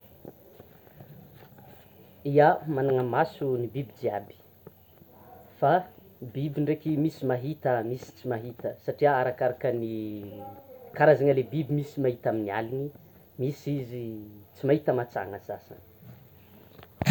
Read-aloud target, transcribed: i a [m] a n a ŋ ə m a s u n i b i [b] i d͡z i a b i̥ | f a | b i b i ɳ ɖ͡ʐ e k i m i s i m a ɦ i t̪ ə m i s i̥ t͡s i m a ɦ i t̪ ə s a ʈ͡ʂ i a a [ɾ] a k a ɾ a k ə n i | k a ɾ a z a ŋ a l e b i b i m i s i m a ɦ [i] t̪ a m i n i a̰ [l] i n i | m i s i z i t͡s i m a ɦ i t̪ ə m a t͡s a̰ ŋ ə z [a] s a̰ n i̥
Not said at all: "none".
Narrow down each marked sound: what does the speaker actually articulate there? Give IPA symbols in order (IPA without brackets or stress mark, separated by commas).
m, b, ɾ, i, l, a